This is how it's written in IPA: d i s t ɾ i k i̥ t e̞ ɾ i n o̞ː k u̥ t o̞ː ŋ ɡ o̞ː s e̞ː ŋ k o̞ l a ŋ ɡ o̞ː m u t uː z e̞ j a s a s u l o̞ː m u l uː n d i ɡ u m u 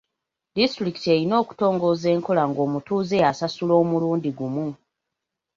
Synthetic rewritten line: d i s t ɾ i k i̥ t e̞ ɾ i n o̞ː k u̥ t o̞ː ŋ ɡ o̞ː z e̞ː ŋ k o̞ l a ŋ ɡ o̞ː m u t uː z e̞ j a s a s u l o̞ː m u l uː n d i ɡ u m u